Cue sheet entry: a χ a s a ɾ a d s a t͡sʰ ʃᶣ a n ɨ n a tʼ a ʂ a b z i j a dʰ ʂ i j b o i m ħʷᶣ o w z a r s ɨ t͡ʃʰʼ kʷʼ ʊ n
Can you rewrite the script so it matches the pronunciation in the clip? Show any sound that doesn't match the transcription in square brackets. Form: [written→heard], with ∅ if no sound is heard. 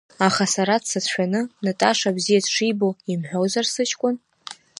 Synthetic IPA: a χ a s a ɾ a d s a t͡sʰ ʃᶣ a n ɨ n a tʼ a ʂ a b z i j a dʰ ʂ i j b o i m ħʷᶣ o w z a r s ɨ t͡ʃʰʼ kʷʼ ʊ n

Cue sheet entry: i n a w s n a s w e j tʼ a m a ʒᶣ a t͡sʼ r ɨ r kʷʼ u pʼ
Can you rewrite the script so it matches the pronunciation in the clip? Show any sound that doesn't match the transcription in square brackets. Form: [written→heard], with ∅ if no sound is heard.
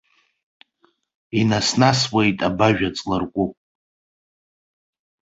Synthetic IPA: i n a [w→∅] s n a s w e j tʼ a [m→b] a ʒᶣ a t͡sʼ [r→l] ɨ r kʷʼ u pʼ

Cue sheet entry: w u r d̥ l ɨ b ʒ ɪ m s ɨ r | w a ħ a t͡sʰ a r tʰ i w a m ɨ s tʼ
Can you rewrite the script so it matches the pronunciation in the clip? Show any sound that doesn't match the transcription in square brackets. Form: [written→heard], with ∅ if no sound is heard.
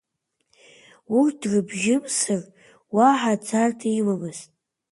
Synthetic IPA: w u r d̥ [l→r] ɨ b ʒ ɪ m s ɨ r | w a ħ a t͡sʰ a r tʰ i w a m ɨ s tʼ

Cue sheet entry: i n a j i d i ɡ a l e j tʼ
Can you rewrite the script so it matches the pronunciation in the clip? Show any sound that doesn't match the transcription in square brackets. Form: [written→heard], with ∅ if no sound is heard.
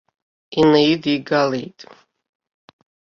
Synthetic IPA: i n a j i d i ɡ a l e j tʼ

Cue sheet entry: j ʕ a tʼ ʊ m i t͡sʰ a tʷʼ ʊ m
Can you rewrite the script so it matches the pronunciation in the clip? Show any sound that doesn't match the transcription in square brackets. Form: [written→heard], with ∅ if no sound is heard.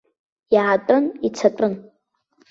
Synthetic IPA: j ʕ a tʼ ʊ [m→n] i t͡sʰ a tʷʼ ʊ [m→n]

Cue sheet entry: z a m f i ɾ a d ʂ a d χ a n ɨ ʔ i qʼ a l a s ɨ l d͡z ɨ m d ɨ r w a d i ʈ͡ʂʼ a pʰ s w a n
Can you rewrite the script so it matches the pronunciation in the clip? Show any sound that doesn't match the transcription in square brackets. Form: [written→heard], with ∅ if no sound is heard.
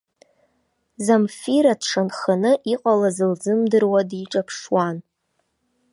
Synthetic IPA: z a m f i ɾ a d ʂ a [d→n] χ a n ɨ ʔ i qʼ a l a [s→z] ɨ l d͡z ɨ m d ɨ r w a d i ʈ͡ʂʼ a pʰ [s→ʂ] w a n

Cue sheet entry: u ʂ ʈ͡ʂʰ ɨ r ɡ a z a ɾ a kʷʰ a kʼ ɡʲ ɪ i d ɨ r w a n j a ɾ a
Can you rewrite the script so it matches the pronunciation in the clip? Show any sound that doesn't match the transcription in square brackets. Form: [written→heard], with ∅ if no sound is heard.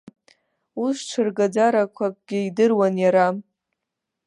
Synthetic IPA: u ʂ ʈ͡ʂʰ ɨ r ɡ a [z→d͡z] a ɾ a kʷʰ a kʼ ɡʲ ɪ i d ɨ r w a n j a ɾ a

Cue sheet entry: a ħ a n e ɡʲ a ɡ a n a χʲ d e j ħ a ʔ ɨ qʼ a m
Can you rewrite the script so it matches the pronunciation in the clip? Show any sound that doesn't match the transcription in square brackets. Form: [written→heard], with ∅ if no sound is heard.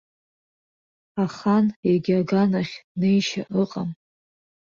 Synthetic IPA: a [ħ→χ] a n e ɡʲ a ɡ a n a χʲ [d→n] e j [ħ→ʃ] a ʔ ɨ qʼ a m

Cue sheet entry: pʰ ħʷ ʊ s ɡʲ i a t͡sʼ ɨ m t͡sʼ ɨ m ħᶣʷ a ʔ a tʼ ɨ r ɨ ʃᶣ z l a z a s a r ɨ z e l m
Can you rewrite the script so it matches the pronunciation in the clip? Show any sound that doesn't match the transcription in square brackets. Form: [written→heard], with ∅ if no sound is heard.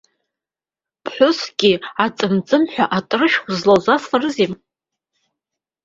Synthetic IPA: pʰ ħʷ ʊ s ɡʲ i a t͡sʼ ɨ m t͡sʼ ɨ m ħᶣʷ a ʔ a tʼ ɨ r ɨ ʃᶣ z l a z a s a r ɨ z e [l→∅] m

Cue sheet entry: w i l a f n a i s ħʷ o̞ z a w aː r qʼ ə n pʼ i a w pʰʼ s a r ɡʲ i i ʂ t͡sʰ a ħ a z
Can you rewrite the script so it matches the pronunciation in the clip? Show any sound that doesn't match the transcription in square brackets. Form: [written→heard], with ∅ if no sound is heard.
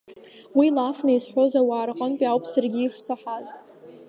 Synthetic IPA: w i l a f n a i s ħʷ o̞ z a w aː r qʼ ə n pʼ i a w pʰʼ s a r ɡʲ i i ʂ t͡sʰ a ħ a z

